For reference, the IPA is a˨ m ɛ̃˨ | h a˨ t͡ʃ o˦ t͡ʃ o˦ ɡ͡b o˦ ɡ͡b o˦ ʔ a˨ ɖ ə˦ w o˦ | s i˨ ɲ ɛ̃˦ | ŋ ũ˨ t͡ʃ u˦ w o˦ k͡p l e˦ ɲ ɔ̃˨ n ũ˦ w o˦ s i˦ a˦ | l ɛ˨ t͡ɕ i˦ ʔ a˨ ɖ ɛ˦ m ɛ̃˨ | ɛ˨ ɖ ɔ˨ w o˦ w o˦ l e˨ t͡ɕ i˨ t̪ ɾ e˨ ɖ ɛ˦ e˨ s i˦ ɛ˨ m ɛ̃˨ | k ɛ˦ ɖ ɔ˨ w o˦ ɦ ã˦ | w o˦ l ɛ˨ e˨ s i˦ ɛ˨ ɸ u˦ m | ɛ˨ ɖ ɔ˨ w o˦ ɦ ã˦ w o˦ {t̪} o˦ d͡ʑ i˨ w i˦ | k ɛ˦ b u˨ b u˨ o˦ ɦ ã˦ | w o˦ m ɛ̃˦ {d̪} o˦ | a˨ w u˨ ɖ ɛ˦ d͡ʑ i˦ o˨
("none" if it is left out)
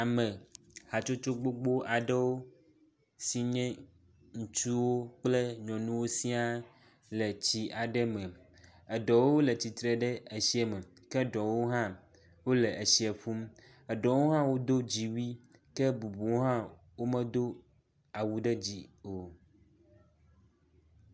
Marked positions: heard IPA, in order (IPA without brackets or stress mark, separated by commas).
d̪, d̪